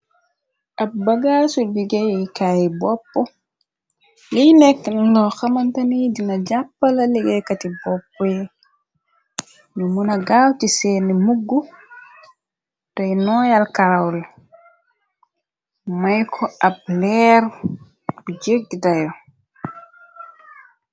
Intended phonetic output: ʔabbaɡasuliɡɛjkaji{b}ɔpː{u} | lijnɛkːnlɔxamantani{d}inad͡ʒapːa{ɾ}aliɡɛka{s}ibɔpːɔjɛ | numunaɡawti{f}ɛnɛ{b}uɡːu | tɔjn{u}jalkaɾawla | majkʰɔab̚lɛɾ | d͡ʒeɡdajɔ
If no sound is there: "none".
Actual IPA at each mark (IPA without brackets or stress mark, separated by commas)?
b, ɔ, d, l, t, s, m, ɔ